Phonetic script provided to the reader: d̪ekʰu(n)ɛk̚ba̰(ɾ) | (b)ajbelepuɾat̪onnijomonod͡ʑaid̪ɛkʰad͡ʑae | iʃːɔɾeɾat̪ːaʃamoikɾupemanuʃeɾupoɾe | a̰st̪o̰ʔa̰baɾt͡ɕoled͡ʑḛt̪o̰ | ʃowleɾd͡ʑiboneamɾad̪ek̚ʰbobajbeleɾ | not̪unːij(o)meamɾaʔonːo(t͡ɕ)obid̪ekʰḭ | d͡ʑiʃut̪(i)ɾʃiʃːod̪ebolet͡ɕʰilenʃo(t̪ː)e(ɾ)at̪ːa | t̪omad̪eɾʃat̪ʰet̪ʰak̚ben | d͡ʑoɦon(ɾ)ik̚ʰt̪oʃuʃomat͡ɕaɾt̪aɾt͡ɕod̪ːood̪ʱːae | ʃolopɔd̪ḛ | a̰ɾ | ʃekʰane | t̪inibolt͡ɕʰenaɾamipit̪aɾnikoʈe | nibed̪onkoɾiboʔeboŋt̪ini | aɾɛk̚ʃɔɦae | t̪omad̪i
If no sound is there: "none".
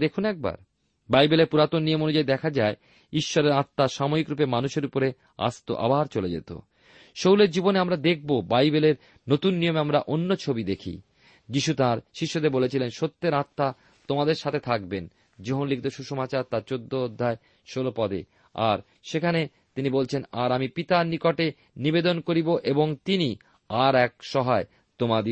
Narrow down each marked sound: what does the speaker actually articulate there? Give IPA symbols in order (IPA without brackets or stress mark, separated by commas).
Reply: n, ɾ, b, o, t͡ɕʰ, a, t̪ː, ɾ, l